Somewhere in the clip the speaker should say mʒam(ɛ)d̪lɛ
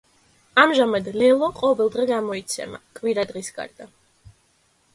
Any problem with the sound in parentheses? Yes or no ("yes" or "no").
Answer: yes